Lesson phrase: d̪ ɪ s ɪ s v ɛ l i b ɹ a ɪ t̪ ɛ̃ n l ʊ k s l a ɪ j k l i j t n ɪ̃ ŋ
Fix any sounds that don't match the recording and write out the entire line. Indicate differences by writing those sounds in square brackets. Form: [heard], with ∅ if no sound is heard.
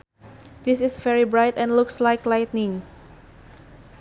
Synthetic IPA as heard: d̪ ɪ s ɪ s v ɛ [ɹ] i b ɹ a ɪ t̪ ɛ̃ n l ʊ k s l a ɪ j k l [a] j t n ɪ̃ ŋ